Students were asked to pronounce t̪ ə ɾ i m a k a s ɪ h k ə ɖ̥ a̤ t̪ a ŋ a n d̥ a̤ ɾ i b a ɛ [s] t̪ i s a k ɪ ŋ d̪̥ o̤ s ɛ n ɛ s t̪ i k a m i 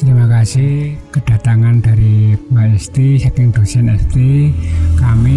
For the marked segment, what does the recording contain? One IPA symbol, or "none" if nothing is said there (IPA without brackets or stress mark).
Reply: s